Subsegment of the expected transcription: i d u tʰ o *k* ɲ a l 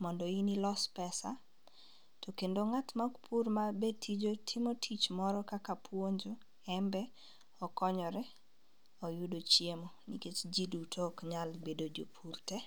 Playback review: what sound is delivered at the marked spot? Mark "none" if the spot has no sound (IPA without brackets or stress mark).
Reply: k